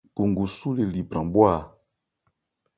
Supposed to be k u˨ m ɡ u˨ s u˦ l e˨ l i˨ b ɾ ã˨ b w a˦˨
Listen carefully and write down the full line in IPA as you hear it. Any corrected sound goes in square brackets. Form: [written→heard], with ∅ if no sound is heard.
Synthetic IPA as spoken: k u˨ [m→ŋ] ɡ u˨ s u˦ l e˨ l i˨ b ɾ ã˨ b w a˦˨